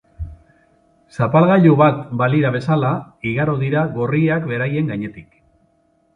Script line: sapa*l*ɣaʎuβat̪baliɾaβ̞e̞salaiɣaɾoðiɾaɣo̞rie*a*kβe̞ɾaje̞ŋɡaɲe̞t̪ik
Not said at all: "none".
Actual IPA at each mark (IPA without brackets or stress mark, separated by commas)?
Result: l, a